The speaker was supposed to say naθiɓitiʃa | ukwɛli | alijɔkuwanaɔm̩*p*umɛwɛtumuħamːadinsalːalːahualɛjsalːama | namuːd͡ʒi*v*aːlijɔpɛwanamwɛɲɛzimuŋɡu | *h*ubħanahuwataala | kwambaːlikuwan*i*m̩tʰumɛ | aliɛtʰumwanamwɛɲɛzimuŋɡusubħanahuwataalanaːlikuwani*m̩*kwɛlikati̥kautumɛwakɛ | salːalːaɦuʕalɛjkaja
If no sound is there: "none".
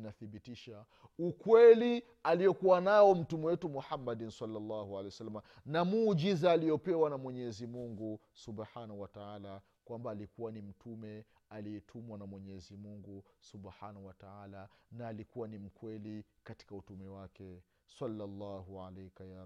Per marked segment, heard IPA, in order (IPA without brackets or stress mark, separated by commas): t, z, s, i, m̩